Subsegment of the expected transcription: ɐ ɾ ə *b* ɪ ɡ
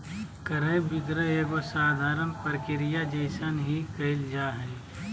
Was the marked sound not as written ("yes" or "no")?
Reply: no